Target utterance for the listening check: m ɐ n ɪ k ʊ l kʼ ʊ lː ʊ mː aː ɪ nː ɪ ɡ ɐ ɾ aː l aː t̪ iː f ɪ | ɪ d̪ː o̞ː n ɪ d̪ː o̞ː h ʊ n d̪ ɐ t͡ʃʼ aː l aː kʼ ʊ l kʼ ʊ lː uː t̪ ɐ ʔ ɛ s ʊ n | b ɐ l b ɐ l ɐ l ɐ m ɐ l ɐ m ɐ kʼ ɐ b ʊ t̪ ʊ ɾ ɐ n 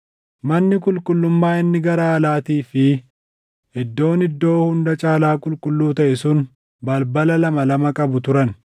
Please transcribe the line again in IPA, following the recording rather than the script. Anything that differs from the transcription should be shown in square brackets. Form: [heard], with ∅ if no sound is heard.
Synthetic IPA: m ɐ [nː] ɪ k ʊ l kʼ ʊ lː ʊ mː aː ɪ nː ɪ ɡ ɐ ɾ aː l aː t̪ iː f ɪ | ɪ d̪ː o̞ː n ɪ d̪ː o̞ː h ʊ n d̪ ɐ t͡ʃʼ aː l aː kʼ ʊ l kʼ ʊ lː uː t̪ ɐ ʔ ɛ s ʊ n | b ɐ l b ɐ l ɐ l ɐ m ɐ l ɐ m ɐ kʼ ɐ b ʊ t̪ ʊ ɾ ɐ n

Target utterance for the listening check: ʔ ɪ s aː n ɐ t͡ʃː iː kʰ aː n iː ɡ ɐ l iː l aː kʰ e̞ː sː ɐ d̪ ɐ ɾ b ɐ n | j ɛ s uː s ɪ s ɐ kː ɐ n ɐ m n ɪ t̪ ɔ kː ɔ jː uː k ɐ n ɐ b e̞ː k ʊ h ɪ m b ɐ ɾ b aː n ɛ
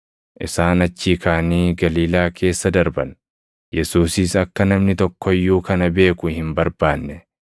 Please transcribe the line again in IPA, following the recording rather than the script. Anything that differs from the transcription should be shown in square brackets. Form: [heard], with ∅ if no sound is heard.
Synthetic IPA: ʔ ɪ s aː n ɐ t͡ʃː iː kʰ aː n iː ɡ ɐ l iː l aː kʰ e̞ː sː ɐ d̪ ɐ ɾ b ɐ n | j ɛ s uː s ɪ s ɐ kː ɐ n ɐ m n ɪ t̪ ɔ kː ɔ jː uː k ɐ n ɐ b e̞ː k ʊ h ɪ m b ɐ ɾ b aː [nː] ɛ

